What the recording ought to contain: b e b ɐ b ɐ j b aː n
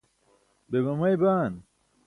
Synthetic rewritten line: b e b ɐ m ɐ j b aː n